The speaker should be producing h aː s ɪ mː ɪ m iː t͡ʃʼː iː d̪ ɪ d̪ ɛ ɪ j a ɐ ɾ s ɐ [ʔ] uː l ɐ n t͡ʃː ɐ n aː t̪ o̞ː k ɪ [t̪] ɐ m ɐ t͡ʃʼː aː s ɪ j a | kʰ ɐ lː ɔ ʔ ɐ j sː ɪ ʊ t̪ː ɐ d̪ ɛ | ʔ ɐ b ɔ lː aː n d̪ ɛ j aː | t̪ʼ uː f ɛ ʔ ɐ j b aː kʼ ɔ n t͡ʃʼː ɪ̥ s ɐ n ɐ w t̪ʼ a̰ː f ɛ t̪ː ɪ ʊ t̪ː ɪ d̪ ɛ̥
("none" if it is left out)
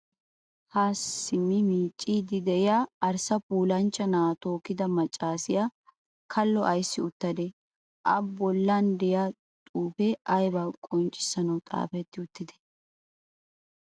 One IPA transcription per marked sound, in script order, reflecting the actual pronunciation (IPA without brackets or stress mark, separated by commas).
p, d̪